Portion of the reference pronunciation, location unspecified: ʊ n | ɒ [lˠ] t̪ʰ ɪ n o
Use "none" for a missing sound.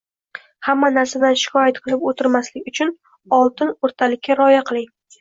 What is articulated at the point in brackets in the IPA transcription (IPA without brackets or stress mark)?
lˠ